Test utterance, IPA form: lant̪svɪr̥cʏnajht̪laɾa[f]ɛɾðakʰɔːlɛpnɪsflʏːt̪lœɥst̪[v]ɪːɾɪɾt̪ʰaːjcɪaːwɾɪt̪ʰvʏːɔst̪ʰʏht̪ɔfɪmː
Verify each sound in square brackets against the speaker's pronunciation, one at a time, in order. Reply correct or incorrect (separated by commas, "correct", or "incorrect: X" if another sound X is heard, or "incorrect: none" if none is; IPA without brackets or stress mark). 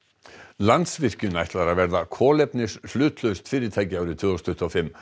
incorrect: v, incorrect: f